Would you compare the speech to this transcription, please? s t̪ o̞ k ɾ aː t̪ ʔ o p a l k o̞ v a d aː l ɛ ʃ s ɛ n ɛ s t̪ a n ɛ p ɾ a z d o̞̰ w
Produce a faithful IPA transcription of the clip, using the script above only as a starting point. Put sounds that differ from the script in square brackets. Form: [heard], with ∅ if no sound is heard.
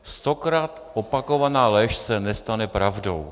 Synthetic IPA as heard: s t̪ o̞ k ɾ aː t̪ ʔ o p a [∅] k o̞ v a [n] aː l ɛ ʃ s ɛ n ɛ s t̪ a n ɛ p ɾ a [v] d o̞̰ w